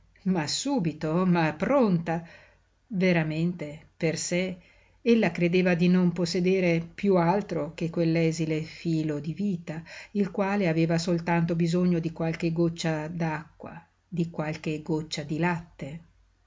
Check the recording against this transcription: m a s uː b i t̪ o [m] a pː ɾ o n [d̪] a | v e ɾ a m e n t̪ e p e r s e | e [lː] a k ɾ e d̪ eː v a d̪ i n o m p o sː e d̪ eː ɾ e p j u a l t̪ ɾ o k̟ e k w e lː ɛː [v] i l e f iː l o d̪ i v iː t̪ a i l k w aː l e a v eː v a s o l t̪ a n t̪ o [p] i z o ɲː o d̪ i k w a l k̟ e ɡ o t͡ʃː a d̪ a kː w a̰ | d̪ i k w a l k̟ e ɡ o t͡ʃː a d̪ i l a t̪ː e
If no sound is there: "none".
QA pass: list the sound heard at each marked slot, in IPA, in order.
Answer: m, t̪, lː, z, b

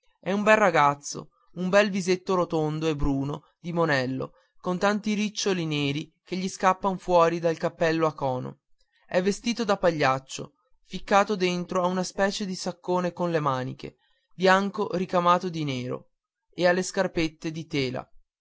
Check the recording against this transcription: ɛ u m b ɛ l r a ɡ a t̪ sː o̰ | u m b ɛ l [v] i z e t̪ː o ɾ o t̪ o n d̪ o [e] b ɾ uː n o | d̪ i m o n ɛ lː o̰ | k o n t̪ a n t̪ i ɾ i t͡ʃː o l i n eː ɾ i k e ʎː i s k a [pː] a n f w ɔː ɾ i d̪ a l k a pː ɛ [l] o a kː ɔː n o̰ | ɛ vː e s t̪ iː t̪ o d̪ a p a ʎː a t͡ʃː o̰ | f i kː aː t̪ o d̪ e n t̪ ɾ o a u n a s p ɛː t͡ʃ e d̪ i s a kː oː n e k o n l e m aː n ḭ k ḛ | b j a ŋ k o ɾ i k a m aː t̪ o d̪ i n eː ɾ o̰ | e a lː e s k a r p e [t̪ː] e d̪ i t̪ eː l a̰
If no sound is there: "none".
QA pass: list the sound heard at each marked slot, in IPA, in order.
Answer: v, e, pː, lː, t̪ː

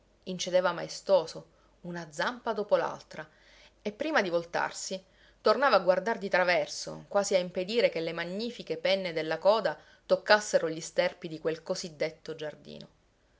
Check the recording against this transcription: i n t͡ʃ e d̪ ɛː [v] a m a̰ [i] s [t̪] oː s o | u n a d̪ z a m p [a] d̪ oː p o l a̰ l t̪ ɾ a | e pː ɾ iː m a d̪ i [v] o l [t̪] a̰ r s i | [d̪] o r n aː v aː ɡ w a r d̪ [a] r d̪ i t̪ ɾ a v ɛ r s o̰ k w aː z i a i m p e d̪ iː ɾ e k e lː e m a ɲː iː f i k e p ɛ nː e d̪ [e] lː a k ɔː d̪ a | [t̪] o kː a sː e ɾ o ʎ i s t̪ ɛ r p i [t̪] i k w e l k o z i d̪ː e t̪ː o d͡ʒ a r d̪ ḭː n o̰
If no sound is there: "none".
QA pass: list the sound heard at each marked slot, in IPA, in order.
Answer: v, e, t̪, a, v, t̪, t̪, a, e, t̪, d̪

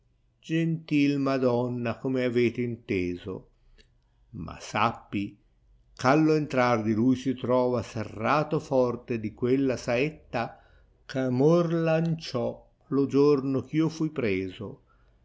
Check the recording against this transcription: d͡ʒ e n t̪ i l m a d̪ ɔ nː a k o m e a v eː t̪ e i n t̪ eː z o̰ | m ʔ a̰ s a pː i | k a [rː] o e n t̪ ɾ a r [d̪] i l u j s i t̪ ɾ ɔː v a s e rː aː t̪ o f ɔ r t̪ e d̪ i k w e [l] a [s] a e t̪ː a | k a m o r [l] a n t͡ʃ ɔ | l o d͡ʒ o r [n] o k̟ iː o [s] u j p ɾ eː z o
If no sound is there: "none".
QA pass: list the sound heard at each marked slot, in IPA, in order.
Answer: lː, d̪, lː, s, l, n, f

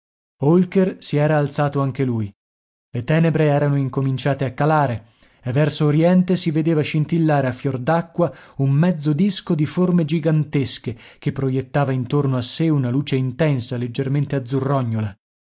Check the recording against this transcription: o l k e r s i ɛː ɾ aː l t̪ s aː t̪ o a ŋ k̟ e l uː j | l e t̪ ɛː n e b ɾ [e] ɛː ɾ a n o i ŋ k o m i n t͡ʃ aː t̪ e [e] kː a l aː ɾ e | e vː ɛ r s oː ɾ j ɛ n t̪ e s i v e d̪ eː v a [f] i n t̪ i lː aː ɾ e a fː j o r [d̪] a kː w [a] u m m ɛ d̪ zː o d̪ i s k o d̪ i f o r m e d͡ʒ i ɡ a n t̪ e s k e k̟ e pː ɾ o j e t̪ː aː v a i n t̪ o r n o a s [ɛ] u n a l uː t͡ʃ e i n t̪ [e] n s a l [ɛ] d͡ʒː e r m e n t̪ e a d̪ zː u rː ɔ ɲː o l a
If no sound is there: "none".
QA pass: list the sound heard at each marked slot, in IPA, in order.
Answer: e, a, ʃ, d̪, a, e, ɛ, e

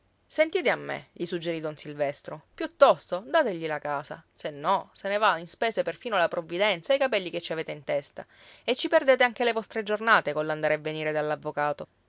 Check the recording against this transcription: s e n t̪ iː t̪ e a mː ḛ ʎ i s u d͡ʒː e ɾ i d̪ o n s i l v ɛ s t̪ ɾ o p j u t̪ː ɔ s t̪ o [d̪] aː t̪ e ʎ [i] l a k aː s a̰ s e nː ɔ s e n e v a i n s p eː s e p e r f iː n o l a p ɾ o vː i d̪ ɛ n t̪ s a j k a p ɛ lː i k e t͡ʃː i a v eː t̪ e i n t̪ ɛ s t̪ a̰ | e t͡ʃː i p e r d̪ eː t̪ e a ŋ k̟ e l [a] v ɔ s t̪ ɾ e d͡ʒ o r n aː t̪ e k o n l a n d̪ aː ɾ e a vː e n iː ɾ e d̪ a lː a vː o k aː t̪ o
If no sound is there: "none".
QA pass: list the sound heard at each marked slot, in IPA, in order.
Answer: d̪, i, e

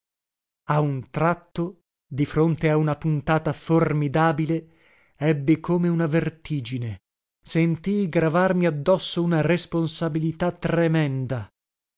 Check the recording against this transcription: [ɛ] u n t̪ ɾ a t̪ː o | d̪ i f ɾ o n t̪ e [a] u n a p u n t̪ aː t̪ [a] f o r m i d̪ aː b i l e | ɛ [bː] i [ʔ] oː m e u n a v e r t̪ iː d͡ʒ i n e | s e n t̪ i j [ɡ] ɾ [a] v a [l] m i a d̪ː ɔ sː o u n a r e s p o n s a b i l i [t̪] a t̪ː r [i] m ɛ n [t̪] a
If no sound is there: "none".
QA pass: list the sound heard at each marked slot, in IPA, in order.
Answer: a, a, a, bː, k, ɡ, a, r, t̪, e, d̪

